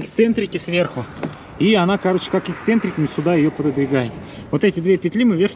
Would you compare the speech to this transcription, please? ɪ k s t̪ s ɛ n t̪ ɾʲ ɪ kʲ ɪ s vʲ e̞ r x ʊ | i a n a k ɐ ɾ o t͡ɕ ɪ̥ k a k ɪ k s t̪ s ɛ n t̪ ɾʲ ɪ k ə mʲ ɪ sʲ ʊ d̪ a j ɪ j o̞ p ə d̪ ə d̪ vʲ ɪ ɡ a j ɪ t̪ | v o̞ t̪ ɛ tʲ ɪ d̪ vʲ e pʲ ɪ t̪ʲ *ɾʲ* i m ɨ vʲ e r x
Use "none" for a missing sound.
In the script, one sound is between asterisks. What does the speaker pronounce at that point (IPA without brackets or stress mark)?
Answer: lʲ